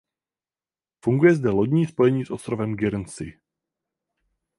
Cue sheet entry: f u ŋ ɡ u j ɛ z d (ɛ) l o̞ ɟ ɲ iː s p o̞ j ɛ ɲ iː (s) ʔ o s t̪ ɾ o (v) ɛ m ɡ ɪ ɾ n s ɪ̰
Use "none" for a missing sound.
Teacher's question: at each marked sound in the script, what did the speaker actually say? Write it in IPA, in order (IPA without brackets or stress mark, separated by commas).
ɛ, s, v